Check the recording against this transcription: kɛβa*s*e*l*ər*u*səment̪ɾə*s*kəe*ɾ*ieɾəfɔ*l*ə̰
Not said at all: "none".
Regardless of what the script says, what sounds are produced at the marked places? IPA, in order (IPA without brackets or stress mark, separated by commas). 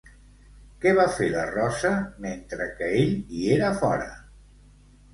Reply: f, l, ɔ, none, ʎ, ɾ